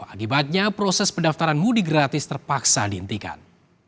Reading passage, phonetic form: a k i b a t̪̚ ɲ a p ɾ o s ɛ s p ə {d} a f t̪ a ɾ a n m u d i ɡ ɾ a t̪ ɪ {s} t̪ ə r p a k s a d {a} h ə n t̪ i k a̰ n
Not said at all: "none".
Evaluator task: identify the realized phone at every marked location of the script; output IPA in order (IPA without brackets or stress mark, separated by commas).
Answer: d, s, i